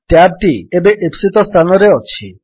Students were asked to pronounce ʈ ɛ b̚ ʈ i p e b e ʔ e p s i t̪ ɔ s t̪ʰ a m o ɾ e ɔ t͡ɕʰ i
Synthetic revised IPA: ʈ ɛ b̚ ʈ i e b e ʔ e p s i t̪ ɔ s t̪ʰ a n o ɾ e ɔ t͡ɕʰ i